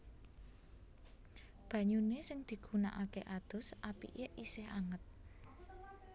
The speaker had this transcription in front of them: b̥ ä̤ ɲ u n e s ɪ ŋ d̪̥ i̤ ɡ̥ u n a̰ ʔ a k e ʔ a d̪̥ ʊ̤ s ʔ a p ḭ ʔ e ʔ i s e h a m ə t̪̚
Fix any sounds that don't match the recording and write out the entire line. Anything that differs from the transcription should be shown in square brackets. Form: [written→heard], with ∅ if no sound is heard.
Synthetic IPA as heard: b̥ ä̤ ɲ u n e s ɪ ŋ d̪̥ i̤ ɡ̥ u n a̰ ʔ a k e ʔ a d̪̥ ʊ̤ s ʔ a p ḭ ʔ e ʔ i s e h a [m→ŋ] ə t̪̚